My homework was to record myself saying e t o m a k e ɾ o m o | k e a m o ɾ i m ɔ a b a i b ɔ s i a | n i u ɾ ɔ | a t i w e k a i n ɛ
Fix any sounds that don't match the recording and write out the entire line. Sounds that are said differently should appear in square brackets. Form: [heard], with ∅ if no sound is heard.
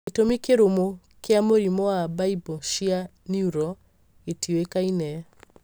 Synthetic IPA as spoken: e t o m [i] k e ɾ o m o | k e a m o ɾ i m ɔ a b a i b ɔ [ʃ] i a | n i u ɾ ɔ | [e] t i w e k a i n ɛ